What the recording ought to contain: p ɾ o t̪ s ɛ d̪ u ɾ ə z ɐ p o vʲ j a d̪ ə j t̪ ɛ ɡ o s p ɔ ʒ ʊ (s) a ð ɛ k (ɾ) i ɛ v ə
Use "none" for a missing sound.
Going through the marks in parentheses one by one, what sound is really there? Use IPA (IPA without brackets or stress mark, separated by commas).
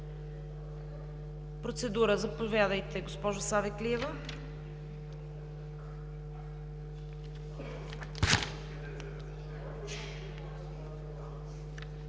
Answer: s, l